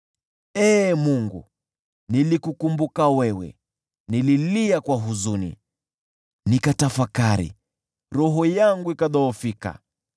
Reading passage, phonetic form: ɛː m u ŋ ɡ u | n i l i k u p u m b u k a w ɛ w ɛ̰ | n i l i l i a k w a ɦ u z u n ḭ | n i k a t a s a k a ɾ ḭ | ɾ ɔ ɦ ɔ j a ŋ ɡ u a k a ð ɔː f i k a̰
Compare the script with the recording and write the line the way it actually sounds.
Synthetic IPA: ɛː m u ŋ ɡ u | n i l i k u k u m b u k a w ɛ w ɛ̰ | n i l i l i a k w a ɦ u z u n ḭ | n i k a t a f a k a ɾ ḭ | ɾ ɔ ɦ ɔ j a ŋ ɡ u i k a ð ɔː f i k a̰